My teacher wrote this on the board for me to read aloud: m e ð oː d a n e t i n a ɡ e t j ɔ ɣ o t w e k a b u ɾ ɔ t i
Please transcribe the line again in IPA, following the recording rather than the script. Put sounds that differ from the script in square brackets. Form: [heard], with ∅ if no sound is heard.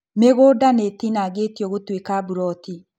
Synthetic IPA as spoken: m e [ɣ] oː d a n e t i n a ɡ e t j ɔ ɣ o t w e k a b u ɾ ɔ t i